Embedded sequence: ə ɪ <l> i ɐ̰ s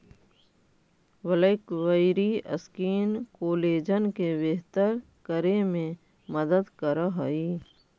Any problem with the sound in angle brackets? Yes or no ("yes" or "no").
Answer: yes